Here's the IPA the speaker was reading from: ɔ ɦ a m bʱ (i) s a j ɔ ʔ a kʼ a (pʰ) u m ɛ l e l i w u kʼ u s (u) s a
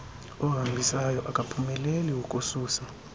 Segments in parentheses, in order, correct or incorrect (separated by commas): correct, correct, incorrect